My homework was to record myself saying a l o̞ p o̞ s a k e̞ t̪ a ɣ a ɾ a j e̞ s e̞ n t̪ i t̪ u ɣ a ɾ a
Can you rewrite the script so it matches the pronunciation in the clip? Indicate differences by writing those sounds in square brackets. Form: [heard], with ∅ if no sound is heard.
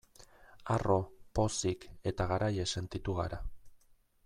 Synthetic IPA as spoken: a [r] o̞ p o̞ s [i] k e̞ t̪ a ɣ a ɾ a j e̞ s e̞ n t̪ i t̪ u ɣ a ɾ a